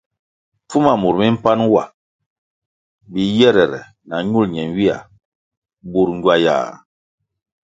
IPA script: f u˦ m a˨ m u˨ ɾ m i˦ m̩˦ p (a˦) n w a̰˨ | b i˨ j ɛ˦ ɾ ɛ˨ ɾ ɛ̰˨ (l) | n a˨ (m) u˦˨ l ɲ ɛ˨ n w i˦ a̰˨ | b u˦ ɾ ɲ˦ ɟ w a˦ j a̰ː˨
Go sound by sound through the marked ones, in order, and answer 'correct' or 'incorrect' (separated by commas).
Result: correct, incorrect, incorrect